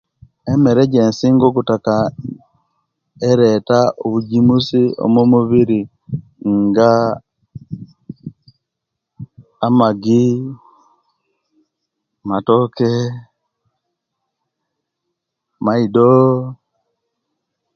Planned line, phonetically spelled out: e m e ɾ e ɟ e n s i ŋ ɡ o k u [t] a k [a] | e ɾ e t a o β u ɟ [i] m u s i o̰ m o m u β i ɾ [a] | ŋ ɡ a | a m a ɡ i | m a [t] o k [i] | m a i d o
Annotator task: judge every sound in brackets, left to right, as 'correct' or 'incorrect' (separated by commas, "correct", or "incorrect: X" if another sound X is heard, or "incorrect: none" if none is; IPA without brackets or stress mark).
correct, correct, correct, incorrect: i, correct, incorrect: e